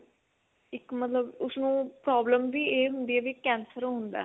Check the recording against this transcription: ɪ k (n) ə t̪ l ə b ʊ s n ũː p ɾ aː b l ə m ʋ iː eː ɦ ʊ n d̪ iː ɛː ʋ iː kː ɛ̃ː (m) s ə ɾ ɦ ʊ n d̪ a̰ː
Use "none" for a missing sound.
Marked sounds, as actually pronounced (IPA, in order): m, n

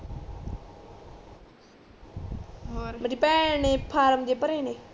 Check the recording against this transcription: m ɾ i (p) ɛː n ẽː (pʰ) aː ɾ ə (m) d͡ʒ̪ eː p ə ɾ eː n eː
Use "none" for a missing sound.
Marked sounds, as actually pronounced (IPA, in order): p, pʰ, m

